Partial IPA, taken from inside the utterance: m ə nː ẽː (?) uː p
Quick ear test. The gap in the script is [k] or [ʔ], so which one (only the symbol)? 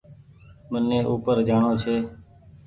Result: ʔ